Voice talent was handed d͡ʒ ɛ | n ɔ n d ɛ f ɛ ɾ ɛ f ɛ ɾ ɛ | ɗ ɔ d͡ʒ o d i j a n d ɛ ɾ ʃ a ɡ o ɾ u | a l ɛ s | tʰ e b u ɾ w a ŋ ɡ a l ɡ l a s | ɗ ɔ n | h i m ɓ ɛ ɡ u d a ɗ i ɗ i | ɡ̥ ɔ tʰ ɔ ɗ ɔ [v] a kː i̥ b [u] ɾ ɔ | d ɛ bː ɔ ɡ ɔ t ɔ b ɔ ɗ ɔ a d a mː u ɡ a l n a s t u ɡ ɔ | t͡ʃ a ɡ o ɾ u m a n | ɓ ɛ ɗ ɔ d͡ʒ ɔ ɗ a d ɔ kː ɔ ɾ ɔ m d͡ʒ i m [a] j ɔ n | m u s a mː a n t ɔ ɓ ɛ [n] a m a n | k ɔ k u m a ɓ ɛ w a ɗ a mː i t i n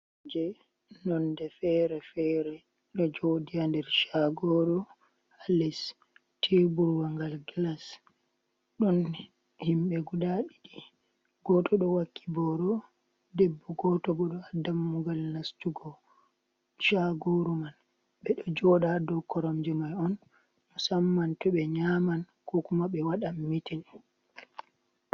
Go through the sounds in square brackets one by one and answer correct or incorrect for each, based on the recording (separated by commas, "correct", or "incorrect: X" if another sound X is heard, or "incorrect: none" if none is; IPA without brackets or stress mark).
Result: incorrect: w, incorrect: ɔ, correct, incorrect: ɲ